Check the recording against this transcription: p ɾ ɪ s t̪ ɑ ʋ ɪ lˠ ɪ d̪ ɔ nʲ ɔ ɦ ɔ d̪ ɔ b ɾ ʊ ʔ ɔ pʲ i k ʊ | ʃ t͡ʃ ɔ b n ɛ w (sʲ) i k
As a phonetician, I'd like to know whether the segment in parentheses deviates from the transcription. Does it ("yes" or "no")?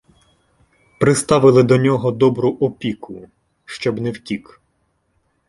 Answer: yes